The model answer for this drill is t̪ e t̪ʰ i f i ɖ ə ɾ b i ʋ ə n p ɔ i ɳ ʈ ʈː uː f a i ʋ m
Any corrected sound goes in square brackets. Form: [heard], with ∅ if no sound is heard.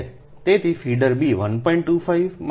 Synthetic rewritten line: t̪ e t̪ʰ i f i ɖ ə ɾ b i ʋ ə n p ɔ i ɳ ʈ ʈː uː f a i ʋ m